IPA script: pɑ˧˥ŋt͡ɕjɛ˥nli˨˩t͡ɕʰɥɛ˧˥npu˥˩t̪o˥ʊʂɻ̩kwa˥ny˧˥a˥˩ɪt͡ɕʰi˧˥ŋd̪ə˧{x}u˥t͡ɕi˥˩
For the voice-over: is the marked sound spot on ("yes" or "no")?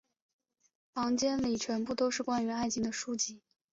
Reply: no